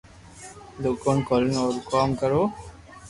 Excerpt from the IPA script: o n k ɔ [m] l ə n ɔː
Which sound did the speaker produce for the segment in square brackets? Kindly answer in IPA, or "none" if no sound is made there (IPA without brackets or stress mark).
none